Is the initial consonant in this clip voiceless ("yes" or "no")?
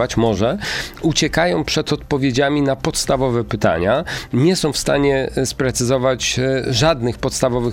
yes